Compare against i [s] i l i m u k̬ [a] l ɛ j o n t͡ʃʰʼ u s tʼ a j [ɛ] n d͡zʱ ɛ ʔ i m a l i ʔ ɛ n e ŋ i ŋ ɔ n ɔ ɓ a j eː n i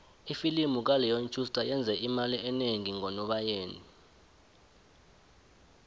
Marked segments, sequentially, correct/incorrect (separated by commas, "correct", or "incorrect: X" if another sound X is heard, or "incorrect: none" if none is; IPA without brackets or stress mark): incorrect: f, correct, correct